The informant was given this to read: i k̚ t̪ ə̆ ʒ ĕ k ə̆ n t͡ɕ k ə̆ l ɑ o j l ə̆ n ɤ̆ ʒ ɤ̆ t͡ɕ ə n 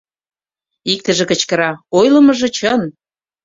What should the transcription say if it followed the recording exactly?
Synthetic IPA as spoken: i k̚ t̪ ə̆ ʒ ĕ k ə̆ t͡ɕ k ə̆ ɾ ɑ o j l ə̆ m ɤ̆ ʒ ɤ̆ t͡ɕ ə n